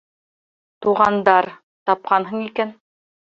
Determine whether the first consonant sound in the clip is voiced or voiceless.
voiceless